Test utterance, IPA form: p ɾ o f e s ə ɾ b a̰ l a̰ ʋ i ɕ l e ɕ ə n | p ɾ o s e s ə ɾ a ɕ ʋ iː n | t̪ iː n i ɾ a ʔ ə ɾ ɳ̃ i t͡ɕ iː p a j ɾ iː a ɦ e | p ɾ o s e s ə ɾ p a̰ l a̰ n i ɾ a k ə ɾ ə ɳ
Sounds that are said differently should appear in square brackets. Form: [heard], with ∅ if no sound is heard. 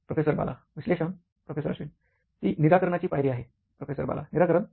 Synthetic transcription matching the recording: p ɾ o f e s ə ɾ b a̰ l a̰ ʋ i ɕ l e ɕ ə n | p ɾ o [f] e s ə ɾ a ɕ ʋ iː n | t̪ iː n i ɾ a [k] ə ɾ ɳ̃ [a] t͡ɕ iː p a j ɾ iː a ɦ e | p ɾ o [f] e s ə ɾ [b] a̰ l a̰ n i ɾ a k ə ɾ ə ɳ